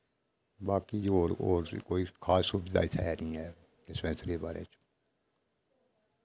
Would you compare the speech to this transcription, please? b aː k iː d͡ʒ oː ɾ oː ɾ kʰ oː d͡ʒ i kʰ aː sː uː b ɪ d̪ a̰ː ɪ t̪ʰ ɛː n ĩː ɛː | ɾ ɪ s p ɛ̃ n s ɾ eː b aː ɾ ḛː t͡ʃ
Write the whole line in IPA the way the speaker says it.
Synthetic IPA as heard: b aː k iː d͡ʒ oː ɾ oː ɾ k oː i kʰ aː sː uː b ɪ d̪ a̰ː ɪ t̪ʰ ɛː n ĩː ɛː | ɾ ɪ s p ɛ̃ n s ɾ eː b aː ɾ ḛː t͡ʃ